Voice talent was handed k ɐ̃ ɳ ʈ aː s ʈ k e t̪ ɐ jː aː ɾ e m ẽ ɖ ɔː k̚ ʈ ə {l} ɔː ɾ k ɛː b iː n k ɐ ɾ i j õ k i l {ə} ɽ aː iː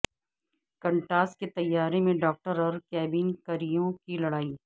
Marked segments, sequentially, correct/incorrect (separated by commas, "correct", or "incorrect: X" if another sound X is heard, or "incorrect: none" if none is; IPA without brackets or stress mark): incorrect: ɾ, incorrect: ɐ